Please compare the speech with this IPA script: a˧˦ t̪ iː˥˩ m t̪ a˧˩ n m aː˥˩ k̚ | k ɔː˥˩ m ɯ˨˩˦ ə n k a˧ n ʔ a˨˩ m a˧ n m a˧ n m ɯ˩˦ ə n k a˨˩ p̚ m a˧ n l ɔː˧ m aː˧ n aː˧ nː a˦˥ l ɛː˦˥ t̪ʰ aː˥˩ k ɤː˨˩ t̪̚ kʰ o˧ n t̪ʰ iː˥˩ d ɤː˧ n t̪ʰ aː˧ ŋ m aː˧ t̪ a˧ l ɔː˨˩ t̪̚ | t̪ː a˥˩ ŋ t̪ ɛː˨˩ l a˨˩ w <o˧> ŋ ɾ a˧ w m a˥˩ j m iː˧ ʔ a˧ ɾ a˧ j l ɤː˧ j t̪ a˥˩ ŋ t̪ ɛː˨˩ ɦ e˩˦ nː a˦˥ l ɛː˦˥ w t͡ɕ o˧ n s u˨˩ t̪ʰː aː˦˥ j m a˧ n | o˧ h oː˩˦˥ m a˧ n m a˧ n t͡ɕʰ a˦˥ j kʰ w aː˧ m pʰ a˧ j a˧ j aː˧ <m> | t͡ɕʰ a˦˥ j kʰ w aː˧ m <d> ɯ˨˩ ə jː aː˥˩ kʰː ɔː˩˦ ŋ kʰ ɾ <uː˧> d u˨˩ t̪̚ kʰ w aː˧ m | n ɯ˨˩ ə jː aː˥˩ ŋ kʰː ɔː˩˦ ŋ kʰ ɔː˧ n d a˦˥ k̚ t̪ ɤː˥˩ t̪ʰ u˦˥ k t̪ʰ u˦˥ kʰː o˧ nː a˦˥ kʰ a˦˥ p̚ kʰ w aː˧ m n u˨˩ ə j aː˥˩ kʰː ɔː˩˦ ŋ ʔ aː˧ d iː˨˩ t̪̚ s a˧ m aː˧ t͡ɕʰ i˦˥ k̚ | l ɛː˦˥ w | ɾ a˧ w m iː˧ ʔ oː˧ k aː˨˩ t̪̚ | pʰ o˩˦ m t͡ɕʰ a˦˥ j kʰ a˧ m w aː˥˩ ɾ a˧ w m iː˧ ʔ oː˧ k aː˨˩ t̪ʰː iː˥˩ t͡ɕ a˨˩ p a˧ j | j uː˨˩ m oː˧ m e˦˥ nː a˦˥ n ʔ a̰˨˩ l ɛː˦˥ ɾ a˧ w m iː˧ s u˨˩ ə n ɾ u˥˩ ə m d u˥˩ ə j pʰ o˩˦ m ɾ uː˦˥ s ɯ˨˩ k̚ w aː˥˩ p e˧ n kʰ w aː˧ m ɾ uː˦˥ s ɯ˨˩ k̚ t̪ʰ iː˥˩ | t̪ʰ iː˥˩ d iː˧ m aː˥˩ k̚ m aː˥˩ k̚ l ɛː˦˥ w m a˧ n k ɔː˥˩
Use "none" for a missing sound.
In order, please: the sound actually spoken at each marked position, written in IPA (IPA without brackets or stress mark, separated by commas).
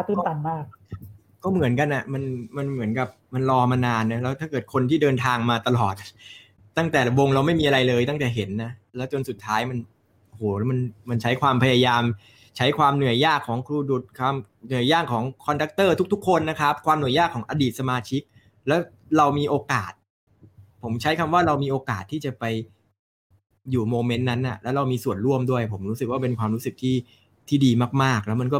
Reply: o˧, m, n, uː˧